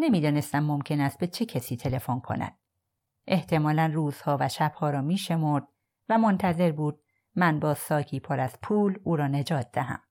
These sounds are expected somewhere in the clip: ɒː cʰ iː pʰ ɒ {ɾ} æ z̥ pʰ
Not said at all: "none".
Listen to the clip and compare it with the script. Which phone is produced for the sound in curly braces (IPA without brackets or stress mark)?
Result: ɾ